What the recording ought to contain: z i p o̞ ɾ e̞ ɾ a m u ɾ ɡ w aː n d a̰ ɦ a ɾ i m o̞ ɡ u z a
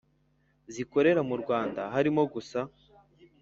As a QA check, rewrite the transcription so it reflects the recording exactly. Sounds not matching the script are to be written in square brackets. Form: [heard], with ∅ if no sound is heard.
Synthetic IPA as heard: z i [k] o̞ ɾ e̞ ɾ a m u ɾ ɡ w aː n d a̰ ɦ a ɾ i m o̞ ɡ u [s] a